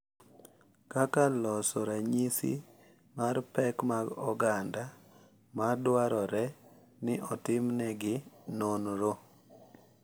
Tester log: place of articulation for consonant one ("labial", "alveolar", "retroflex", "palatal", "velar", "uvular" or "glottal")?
velar